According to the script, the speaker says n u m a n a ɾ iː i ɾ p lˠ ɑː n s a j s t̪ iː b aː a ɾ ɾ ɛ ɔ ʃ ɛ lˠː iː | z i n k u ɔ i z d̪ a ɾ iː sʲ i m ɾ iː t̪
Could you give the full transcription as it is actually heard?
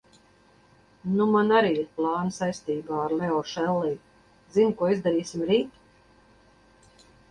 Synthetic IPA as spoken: n u m a n a ɾ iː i ɾ p lˠ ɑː n s a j s t̪ iː b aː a ɾ l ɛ ɔ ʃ ɛ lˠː iː | z i n k u ɔ i z d̪ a ɾ iː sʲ i m ɾ iː t̪